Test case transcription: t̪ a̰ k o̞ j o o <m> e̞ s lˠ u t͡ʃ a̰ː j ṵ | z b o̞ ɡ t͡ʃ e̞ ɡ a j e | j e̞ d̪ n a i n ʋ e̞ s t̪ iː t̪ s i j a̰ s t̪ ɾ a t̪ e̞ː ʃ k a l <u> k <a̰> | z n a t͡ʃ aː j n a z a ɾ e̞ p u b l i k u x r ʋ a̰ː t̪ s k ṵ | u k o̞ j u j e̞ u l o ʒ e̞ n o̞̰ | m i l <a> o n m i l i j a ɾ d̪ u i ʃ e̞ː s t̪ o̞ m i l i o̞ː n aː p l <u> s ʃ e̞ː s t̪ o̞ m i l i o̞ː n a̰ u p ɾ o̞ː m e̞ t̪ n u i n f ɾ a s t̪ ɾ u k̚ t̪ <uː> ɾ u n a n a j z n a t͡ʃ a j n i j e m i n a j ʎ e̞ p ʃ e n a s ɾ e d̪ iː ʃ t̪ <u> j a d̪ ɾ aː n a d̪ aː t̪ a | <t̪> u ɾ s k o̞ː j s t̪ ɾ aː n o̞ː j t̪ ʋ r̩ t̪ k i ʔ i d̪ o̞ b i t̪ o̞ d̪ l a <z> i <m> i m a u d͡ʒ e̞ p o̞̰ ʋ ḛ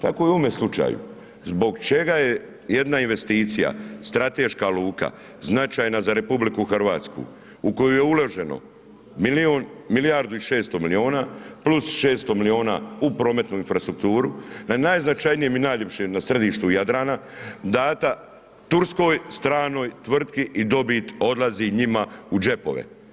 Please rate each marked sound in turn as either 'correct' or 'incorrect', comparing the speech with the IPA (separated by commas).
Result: correct, incorrect, correct, incorrect, correct, correct, correct, correct, correct, incorrect